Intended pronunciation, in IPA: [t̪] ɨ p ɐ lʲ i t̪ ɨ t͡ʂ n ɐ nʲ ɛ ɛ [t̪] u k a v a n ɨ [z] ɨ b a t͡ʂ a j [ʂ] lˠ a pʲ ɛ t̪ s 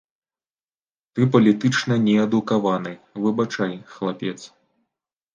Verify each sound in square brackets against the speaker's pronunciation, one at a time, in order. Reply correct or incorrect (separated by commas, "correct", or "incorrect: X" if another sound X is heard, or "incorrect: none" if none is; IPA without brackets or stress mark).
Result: correct, incorrect: d̪, incorrect: v, incorrect: x